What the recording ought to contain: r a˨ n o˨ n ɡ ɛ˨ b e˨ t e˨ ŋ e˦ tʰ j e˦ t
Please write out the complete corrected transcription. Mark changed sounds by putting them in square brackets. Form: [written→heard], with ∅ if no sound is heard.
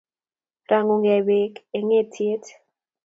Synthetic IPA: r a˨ [n→ŋ] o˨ [n→ŋ] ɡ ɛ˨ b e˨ [t→k] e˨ ŋ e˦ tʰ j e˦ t

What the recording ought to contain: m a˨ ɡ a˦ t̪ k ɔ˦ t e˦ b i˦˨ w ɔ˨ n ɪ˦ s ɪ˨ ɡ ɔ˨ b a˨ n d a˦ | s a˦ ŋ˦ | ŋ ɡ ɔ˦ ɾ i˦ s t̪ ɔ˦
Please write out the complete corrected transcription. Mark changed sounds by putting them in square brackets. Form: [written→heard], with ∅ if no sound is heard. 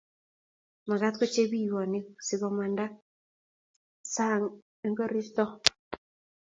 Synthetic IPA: m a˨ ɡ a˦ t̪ k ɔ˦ [t→t͡ʃ] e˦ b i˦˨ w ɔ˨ n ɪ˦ s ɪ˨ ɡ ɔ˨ [b→m] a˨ n d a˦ | s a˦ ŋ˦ | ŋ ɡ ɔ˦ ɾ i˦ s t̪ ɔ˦

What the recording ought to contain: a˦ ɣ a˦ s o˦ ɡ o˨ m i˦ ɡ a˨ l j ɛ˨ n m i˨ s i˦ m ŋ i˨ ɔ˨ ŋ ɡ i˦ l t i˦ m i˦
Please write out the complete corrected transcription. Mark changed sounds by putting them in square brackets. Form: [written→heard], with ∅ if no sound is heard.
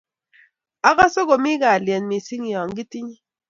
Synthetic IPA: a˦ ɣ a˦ s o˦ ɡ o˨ m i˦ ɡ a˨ l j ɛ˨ n m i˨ s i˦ [m→∅] ŋ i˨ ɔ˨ ŋ ɡ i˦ [l→∅] t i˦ [m→ɲ] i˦

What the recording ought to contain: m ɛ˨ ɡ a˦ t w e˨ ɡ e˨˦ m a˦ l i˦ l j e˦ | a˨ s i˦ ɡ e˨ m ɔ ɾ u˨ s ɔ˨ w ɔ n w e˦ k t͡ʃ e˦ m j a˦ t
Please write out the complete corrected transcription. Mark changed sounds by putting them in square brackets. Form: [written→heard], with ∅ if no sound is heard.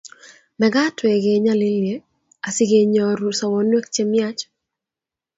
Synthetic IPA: m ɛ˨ ɡ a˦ t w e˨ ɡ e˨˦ [m→ɲ] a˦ l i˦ l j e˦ | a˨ s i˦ ɡ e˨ [m→ɲ] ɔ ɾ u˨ s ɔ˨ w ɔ n w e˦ k t͡ʃ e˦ m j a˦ [t→t͡ʃ]

